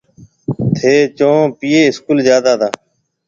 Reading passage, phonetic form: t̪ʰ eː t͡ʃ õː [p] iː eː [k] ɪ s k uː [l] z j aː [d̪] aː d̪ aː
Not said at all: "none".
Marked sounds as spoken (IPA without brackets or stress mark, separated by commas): p, none, l, d̪